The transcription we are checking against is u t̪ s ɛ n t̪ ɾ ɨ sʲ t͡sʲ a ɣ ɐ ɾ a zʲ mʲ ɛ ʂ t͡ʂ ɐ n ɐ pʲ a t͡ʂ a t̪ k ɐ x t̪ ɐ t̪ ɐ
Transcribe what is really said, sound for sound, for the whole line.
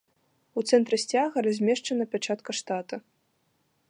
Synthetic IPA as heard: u t̪ s ɛ n t̪ ɾ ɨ sʲ t͡sʲ a ɣ ɐ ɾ a zʲ mʲ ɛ ʂ t͡ʂ ɐ n ɐ pʲ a t͡ʂ a t̪ k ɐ ʂ t̪ a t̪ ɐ